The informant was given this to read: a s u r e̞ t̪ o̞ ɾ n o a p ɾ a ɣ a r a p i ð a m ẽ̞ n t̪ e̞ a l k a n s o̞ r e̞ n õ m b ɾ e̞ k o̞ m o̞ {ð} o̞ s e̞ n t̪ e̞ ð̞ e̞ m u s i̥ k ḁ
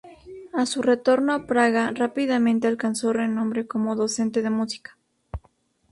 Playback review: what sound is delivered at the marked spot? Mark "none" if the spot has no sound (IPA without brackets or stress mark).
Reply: ð